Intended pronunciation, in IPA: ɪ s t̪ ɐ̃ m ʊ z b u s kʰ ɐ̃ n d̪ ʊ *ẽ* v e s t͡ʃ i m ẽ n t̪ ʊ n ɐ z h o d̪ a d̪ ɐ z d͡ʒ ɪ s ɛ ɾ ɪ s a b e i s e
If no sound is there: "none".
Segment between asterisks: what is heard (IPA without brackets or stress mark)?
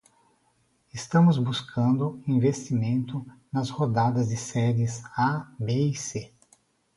ĩ